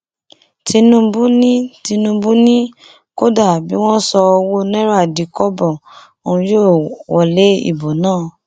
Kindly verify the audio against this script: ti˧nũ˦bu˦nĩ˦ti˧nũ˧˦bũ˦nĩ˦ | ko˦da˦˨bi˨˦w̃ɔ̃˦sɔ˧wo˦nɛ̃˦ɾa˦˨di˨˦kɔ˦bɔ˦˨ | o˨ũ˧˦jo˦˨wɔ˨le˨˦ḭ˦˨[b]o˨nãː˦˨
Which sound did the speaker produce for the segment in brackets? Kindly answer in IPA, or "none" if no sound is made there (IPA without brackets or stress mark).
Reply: b